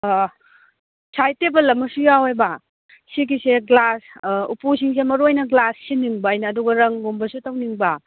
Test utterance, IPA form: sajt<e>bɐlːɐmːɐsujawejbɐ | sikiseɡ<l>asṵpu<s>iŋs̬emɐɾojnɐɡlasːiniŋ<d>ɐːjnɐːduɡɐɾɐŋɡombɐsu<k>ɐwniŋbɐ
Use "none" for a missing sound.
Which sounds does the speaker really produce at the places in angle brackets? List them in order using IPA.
e, l, s, b, t

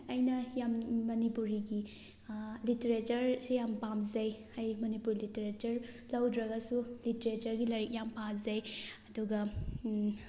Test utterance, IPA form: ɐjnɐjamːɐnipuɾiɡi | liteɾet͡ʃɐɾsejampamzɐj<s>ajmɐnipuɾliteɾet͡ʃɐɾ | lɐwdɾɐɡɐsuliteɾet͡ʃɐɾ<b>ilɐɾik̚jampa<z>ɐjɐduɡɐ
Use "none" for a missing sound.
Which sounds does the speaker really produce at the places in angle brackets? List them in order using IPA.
h, ɡ, z

